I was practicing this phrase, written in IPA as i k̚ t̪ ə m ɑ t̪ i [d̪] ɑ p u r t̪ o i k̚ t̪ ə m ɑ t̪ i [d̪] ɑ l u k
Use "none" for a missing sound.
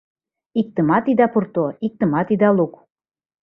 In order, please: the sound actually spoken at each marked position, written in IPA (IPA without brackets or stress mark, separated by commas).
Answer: d̪, d̪